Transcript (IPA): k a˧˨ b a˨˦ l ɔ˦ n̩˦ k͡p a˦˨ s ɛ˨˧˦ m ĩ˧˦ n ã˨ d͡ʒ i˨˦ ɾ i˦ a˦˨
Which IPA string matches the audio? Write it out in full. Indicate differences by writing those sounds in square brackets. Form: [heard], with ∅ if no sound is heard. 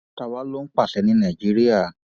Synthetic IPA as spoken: [t] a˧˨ [w] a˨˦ l [o˦] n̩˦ k͡p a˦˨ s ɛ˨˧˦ [n] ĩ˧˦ n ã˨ d͡ʒ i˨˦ ɾ i˦ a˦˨